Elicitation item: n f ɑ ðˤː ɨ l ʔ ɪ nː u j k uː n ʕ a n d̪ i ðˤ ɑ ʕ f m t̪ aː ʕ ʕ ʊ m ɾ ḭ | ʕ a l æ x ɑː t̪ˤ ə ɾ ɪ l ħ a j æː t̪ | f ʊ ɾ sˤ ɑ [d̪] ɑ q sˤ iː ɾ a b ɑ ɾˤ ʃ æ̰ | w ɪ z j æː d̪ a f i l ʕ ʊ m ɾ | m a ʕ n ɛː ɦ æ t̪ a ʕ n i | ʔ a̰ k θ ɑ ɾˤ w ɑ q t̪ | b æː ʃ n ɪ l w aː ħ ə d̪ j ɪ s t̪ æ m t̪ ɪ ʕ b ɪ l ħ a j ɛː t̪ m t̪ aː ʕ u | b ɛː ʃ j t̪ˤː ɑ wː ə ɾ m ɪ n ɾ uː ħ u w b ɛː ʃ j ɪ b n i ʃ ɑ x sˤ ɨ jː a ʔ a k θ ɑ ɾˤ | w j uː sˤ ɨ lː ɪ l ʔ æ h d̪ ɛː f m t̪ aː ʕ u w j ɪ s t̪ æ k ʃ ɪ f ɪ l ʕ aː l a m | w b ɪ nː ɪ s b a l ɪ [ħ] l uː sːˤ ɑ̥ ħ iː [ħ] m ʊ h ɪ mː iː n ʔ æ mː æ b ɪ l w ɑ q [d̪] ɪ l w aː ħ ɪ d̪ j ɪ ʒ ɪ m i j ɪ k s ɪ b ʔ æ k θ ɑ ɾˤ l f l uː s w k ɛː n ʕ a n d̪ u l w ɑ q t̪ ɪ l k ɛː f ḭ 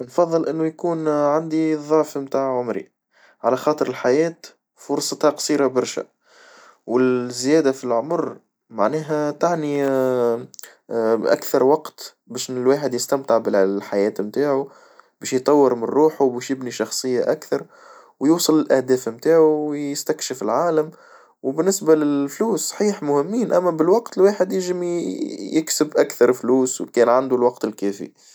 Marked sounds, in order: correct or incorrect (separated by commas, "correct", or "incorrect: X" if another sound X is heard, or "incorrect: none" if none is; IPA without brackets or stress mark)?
incorrect: t̪, incorrect: f, correct, incorrect: t̪